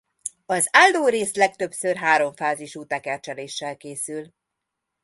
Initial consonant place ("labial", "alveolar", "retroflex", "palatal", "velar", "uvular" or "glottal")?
alveolar